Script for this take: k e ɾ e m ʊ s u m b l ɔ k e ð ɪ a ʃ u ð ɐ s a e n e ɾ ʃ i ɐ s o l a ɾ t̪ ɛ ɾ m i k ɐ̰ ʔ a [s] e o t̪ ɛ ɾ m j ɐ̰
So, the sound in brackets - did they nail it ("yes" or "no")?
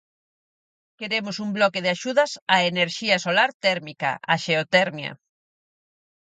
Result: no